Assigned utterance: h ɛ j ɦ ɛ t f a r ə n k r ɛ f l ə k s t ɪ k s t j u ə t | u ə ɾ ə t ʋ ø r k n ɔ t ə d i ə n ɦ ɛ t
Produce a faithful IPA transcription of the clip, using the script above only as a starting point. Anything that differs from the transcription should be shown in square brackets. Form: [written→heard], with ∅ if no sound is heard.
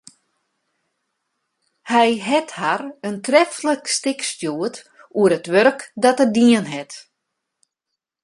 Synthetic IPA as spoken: h ɛ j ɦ ɛ t [f→h] a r ə n [k→t] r ɛ f l ə k s t ɪ k s t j u ə t | u ə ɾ ə t ʋ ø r k [n→d] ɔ t ə d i ə n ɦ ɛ t